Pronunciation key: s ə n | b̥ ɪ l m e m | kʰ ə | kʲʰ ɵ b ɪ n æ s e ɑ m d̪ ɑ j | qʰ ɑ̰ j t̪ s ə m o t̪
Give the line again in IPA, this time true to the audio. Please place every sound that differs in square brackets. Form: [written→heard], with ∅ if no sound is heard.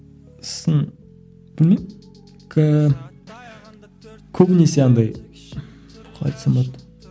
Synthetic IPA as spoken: s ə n | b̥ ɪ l m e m | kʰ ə | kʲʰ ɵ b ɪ n [æ→e] s e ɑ [m→n] d̪ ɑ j | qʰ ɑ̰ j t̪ s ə m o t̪